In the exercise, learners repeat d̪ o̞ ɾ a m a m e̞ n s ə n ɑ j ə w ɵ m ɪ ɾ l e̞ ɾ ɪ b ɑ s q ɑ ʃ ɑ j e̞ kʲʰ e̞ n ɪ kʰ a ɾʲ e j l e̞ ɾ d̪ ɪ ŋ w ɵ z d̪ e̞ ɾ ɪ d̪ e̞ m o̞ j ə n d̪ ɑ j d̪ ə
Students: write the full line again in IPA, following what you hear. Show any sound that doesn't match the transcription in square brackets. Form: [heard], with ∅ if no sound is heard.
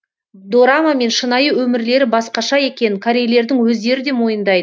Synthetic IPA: d̪ o̞ ɾ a m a m e̞ n [ʃ] ə n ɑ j ə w ɵ m ɪ ɾ l e̞ ɾ ɪ b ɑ s q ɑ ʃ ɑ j e̞ [kʲ] e̞ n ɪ kʰ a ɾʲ e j l e̞ ɾ d̪ ɪ ŋ w ɵ z d̪ e̞ ɾ ɪ d̪ e̞ m o̞ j ə n d̪ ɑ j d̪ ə